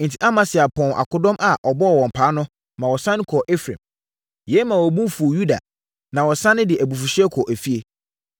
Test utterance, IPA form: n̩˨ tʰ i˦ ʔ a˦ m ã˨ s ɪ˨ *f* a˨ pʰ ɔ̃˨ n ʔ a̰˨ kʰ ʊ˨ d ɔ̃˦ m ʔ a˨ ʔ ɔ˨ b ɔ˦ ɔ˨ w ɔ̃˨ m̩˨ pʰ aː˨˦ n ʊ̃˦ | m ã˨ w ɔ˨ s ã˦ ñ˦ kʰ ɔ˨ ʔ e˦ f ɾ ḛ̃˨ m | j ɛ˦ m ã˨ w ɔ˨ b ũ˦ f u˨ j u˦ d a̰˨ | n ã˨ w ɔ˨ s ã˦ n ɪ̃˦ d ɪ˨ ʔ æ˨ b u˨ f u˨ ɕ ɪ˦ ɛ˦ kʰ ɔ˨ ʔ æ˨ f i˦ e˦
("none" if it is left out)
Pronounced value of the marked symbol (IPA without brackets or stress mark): none